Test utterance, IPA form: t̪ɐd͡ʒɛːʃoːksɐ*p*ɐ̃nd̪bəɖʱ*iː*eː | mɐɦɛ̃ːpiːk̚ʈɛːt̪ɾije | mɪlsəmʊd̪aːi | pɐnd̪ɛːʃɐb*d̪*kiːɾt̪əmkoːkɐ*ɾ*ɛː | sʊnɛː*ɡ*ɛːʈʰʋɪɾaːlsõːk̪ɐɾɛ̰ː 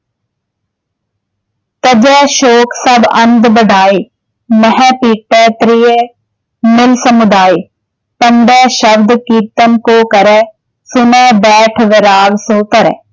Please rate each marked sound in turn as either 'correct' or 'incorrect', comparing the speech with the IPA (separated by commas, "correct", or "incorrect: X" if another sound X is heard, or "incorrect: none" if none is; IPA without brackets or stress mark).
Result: incorrect: b, incorrect: aː, correct, correct, incorrect: b